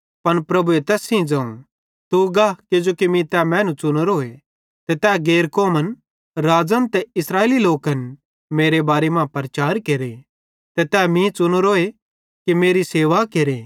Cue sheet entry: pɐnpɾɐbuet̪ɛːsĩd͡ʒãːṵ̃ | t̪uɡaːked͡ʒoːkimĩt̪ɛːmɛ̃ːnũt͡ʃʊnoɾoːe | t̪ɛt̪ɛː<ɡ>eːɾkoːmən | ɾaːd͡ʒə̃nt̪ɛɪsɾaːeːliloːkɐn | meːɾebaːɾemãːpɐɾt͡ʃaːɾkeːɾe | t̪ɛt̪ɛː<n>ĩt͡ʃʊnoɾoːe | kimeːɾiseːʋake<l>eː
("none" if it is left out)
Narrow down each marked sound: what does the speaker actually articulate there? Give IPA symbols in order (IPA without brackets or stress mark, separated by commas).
ɡ, m, ɾ